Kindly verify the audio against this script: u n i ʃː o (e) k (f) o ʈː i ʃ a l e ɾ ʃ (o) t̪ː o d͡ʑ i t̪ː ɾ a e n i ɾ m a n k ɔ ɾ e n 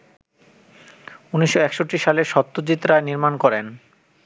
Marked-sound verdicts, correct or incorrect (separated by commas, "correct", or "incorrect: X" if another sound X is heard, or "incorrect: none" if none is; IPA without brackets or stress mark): incorrect: ɛ, incorrect: ʃ, incorrect: ɔ